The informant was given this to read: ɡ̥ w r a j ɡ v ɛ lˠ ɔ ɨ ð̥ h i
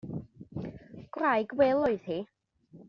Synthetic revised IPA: ɡ̥ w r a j ɡ w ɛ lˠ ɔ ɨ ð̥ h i